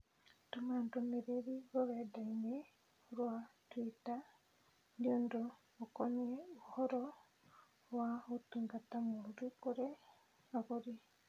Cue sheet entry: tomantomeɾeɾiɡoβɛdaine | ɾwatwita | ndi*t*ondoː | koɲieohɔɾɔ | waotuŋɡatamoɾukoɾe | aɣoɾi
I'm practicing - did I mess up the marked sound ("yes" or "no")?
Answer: yes